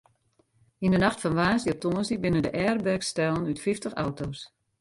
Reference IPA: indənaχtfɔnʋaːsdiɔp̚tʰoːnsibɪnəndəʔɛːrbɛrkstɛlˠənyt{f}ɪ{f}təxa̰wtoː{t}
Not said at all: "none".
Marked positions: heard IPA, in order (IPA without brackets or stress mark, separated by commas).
f, f, s